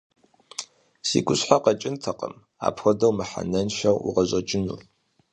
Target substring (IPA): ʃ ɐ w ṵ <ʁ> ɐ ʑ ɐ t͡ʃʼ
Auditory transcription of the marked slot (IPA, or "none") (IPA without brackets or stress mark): ʁ